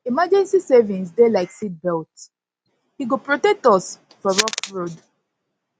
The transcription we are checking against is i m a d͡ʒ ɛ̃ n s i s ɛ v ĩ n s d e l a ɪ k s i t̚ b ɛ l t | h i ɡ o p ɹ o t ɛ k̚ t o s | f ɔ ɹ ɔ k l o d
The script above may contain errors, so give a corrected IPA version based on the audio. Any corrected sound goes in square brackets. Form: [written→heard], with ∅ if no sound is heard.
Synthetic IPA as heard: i m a d͡ʒ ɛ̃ n s i s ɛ v ĩ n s d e l a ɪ k s i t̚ b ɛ l t | h i ɡ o p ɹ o t ɛ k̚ t [o→ɔ] s | f ɔ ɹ ɔ k [l→ɹ] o d